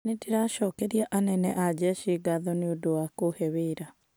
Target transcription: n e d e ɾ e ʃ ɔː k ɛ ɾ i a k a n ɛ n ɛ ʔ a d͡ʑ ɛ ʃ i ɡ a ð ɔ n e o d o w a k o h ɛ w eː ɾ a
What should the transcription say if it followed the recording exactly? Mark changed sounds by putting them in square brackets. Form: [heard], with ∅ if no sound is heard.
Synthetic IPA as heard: n e d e ɾ [a] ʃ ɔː k ɛ ɾ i a [ʔ] a n ɛ n ɛ ʔ a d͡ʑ ɛ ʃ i ɡ a ð ɔ n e o d o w a k o h ɛ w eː ɾ a